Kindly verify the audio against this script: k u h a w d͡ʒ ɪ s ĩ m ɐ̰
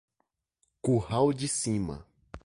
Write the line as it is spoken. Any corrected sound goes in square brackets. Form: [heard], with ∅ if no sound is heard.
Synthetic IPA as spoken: k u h a w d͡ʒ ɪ s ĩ m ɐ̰